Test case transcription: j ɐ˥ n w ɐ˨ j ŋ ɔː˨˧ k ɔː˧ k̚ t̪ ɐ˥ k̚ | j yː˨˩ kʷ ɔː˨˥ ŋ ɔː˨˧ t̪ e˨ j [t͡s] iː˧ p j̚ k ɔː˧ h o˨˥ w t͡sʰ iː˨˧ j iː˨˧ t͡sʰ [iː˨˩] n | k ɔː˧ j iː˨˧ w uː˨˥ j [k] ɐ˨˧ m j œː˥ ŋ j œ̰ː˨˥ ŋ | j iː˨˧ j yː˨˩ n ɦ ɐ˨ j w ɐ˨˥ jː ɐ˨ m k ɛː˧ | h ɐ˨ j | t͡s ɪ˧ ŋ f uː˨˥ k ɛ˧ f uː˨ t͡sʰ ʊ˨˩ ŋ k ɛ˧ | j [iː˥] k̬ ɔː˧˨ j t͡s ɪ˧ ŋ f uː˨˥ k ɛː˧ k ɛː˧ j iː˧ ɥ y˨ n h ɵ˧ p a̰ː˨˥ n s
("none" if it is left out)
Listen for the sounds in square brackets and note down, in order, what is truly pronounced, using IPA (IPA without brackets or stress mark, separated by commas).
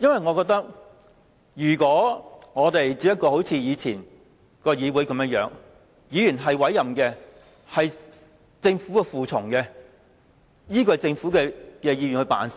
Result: t͡s, iː˨˩, k, iː˥